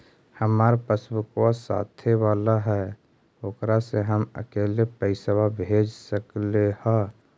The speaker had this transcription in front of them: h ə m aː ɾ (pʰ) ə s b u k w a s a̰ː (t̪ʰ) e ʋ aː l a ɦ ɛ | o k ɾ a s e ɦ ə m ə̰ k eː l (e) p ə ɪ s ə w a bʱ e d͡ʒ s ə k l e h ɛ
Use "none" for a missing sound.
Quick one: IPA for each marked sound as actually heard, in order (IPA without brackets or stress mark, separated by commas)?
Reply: p, t̪ʰ, e